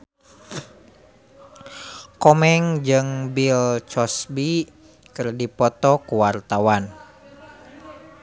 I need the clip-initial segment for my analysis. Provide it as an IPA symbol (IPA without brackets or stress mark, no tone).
k